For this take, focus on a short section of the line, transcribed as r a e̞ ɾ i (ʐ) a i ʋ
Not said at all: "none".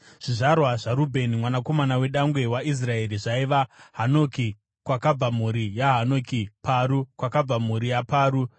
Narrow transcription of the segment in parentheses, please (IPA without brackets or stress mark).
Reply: ʐ